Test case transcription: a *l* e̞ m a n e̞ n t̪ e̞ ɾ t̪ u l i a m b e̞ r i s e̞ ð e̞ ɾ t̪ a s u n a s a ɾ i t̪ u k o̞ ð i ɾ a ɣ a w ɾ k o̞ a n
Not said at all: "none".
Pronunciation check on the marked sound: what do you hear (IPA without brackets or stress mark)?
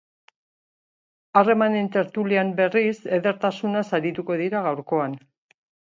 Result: r